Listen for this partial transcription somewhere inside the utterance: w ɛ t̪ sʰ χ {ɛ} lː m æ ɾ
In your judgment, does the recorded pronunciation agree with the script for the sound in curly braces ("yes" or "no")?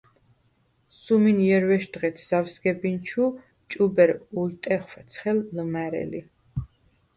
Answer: yes